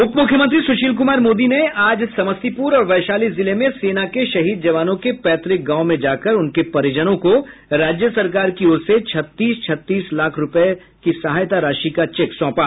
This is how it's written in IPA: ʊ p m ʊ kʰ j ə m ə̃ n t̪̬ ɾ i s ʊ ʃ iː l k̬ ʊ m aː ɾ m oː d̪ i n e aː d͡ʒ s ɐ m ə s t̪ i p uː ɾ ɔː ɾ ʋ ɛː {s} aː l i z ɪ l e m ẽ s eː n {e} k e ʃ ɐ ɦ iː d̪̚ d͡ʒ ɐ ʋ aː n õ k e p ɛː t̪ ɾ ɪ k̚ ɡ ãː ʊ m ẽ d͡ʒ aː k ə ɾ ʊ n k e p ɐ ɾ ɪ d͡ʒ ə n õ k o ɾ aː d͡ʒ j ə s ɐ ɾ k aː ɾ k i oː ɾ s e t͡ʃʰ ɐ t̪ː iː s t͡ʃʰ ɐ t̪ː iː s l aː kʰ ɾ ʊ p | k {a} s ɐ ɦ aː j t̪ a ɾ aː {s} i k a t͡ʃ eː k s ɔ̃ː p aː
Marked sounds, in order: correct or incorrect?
incorrect: ʃ, incorrect: a, incorrect: i, incorrect: ʃ

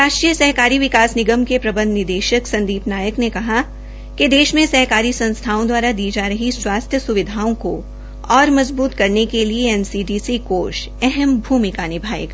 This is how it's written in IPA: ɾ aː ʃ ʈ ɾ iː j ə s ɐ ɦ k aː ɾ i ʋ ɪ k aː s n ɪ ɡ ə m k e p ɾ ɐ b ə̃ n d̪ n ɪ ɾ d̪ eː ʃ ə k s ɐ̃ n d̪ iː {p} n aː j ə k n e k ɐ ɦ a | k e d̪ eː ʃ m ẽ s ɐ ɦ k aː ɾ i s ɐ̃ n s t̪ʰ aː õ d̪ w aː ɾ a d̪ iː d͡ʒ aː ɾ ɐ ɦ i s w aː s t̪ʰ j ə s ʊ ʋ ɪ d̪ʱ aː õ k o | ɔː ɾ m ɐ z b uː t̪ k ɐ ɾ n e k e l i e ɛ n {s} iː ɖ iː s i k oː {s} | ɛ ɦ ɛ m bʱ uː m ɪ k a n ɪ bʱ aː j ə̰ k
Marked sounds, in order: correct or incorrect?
correct, correct, incorrect: ʃ

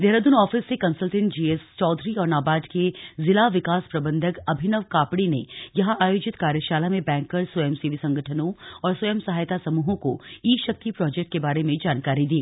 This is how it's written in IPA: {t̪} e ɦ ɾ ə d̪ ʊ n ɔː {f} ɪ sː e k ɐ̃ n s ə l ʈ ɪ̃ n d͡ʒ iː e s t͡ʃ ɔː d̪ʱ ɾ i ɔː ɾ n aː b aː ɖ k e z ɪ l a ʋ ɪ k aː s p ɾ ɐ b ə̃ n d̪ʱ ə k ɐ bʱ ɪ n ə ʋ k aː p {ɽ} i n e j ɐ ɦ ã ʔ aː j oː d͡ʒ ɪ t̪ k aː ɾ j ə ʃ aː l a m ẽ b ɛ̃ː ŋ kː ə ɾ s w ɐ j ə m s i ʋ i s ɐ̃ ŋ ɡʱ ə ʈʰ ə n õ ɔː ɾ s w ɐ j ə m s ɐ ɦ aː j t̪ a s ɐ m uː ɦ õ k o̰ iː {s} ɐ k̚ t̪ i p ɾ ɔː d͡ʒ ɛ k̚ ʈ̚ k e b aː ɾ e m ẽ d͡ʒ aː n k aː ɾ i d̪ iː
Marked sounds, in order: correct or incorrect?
incorrect: d̪, correct, correct, incorrect: ʃ

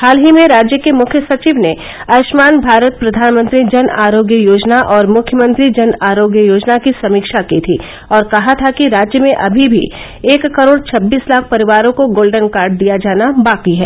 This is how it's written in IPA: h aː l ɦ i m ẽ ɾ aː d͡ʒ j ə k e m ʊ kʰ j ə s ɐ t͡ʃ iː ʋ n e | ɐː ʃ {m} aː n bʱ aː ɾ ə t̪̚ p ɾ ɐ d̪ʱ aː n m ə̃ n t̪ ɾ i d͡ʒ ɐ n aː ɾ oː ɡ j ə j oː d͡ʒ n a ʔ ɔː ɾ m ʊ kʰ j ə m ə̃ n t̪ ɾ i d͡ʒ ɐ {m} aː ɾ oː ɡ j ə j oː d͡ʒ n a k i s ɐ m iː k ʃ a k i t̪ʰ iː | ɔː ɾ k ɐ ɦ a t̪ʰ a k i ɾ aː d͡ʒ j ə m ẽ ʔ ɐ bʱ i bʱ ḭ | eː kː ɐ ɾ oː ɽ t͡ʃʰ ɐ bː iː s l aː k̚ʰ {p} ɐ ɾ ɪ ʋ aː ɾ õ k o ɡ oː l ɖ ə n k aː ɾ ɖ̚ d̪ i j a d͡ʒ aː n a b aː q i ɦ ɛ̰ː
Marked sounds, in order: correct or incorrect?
correct, incorrect: n, correct

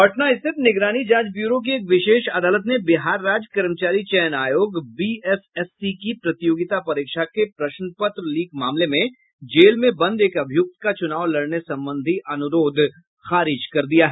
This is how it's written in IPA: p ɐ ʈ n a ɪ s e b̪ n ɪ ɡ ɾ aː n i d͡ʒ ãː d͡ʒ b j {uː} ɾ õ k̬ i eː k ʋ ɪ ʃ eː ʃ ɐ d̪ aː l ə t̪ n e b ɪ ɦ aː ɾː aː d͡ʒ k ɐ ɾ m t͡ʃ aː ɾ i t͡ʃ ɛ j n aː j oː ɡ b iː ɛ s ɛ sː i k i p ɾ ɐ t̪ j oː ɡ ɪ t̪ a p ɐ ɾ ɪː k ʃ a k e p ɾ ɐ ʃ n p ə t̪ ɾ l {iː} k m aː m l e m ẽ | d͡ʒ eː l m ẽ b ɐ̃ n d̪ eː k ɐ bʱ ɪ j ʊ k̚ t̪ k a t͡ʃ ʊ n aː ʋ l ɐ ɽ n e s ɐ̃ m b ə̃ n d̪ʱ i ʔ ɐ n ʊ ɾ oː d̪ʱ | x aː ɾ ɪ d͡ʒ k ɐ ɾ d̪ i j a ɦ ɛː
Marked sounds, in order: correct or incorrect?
correct, correct

